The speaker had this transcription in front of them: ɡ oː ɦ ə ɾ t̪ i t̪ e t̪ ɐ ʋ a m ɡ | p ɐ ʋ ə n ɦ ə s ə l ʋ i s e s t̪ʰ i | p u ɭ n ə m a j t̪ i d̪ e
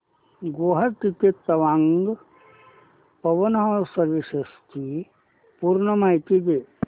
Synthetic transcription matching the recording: ɡ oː ɦ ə ɾ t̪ i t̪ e t̪ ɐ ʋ a ŋ ɡ | p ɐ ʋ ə n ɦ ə s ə ɾ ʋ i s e s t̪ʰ i | p u ɾ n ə m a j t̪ i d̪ e